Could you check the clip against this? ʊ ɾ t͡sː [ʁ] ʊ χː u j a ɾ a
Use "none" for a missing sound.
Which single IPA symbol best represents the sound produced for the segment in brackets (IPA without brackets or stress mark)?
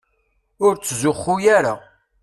z